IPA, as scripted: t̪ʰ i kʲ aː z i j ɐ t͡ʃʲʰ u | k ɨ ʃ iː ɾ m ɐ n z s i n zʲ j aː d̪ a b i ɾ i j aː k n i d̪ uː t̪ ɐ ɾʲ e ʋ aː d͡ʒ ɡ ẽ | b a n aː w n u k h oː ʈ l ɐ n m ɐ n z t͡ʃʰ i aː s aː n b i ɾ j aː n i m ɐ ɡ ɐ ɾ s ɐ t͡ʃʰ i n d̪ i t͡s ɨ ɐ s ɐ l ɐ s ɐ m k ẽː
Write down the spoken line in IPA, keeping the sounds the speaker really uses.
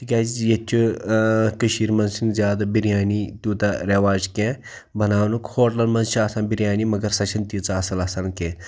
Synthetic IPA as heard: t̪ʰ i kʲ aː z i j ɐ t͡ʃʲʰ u | k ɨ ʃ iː ɾ m ɐ n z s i n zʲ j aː d̪ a b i ɾ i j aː n i t̪ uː t̪ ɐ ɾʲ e ʋ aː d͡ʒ k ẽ | b ɐ n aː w n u k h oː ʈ l ɐ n m ɐ n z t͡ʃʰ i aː s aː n b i ɾ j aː n i m ɐ ɡ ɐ ɾ s ɐ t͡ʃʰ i n t̪ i t͡s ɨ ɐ s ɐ l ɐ s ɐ n k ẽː